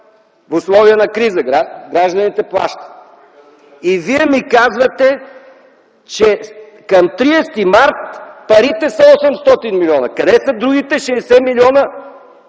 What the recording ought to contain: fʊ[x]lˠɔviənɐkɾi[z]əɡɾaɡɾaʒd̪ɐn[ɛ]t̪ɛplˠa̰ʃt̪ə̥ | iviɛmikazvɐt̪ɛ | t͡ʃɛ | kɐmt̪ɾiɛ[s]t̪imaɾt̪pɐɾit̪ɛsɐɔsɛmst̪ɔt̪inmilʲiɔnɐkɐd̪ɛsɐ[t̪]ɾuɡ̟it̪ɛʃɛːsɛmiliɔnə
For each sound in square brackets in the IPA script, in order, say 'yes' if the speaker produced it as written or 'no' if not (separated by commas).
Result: no, yes, no, yes, no